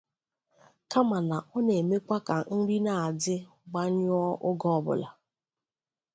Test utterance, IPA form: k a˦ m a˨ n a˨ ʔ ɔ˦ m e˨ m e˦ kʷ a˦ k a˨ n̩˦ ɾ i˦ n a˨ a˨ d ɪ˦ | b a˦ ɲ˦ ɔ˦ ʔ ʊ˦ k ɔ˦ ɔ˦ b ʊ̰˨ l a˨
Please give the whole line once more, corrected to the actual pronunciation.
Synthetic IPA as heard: k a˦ m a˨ n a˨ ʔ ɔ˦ n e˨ m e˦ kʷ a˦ k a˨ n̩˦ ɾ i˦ n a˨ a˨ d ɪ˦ | ɡ͡b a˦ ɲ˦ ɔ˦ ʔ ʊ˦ ɡ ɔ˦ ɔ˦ b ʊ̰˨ l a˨